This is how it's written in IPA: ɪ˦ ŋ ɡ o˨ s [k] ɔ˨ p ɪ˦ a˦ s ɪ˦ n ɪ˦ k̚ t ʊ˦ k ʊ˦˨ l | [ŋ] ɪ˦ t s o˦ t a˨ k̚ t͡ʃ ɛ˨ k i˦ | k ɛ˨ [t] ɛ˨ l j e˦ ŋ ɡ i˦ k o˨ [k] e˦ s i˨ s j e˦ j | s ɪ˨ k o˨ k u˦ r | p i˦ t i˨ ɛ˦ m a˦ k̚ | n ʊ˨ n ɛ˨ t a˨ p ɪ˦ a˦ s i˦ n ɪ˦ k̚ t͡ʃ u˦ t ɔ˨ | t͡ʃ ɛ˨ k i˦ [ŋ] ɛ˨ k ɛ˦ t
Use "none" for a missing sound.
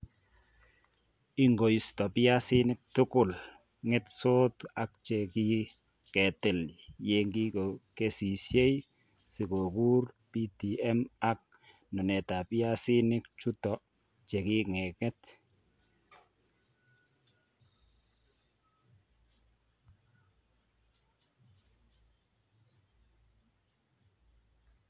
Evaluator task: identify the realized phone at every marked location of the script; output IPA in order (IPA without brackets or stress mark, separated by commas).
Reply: t, ŋ, t, k, ŋ